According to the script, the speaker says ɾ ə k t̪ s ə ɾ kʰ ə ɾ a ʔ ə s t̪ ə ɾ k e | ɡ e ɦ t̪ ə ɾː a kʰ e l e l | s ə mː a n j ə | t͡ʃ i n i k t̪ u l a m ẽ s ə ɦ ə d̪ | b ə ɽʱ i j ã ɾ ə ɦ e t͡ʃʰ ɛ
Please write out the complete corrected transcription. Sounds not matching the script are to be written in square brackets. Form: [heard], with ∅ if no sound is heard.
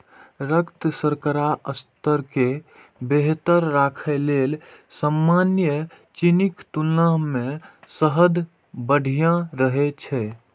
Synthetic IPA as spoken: ɾ ə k t̪ s ə ɾ [k] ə ɾ a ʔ ə s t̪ ə ɾ k e | [b] e ɦ t̪ ə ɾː a kʰ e l e l | s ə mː a n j ə | t͡ʃ i n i k t̪ u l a m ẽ s ə ɦ ə d̪ | b ə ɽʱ i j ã ɾ ə ɦ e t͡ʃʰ ɛ

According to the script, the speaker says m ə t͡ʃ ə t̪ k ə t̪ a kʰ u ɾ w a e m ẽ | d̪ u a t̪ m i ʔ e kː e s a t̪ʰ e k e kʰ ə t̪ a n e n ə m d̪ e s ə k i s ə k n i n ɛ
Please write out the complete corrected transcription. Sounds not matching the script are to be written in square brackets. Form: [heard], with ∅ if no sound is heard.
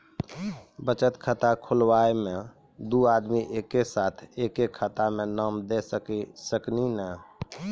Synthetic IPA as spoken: [b] ə t͡ʃ ə t̪ [kʰ] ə t̪ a kʰ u [l] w a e m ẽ | d̪ u a [d̪] m i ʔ e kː e s a t̪ʰ e k e kʰ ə t̪ a [m] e n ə m d̪ e s ə k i s ə k n i n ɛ

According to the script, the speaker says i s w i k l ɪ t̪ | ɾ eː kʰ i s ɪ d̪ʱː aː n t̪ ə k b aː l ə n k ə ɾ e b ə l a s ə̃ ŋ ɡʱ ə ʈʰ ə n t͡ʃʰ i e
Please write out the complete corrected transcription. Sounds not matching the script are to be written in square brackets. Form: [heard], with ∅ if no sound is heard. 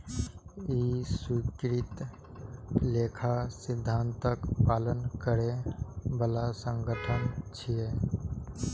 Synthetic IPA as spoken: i s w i k [ɾ] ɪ t̪ | [l] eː kʰ [a] s ɪ d̪ʱː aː n t̪ ə k [p] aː l ə n k ə ɾ e b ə l a s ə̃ ŋ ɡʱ ə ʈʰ ə n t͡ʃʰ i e

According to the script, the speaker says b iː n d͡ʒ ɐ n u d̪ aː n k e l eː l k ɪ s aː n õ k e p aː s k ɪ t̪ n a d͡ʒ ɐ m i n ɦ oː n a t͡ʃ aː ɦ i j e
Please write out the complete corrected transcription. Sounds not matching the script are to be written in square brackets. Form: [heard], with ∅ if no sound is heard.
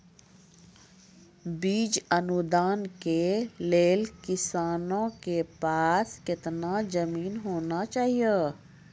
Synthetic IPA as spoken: b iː [∅] d͡ʒ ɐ n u d̪ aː n k e l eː l k ɪ s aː n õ k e p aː s k ɪ t̪ n a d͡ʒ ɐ m [iː] n ɦ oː n a t͡ʃ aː ɦ i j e

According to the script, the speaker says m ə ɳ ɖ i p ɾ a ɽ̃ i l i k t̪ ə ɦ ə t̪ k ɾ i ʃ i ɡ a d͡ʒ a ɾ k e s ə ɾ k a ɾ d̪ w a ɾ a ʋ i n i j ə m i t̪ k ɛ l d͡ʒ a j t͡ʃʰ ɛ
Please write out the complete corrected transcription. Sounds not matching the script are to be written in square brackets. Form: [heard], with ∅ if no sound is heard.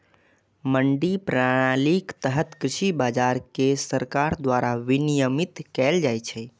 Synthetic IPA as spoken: m ə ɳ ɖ i p ɾ a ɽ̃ [a] l i k t̪ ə ɦ ə t̪ k ɾ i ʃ i [b] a d͡ʒ a ɾ k e s ə ɾ k a ɾ d̪ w a ɾ a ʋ i n i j ə m i t̪ k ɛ l d͡ʒ a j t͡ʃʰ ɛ

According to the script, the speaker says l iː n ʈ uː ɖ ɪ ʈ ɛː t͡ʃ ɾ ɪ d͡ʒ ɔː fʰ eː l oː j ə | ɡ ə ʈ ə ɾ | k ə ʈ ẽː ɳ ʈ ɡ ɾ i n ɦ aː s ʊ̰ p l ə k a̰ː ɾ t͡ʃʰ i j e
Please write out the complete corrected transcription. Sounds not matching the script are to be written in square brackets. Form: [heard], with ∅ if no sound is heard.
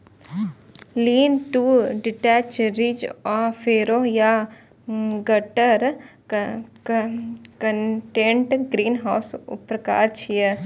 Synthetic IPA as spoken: l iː n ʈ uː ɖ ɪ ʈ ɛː t͡ʃ ɾ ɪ d͡ʒ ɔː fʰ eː [ɾ] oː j [a] | ɡ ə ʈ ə ɾ | k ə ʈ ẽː ɳ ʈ ɡ ɾ [iː] n ɦ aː s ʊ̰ p [ɾ] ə k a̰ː ɾ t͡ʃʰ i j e

